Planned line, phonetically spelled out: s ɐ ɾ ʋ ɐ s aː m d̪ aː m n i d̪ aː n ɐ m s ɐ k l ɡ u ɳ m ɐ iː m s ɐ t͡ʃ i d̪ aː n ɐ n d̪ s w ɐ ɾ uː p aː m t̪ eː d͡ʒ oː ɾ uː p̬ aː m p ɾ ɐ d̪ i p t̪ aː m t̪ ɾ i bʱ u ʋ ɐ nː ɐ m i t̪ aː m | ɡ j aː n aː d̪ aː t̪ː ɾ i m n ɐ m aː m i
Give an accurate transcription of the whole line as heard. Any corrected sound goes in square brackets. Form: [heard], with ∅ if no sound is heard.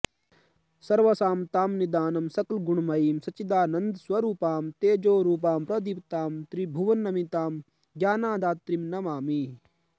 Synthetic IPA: s ɐ ɾ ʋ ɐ s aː m [t̪] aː m n i d̪ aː n ɐ m s ɐ k l ɡ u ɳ m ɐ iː m s ɐ t͡ʃ i d̪ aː n ɐ n d̪ s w ɐ ɾ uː p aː m t̪ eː d͡ʒ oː ɾ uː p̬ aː m p ɾ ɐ d̪ i p t̪ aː m t̪ ɾ i bʱ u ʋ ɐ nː ɐ m i t̪ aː m | ɡ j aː n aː d̪ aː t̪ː ɾ i m n ɐ m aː m i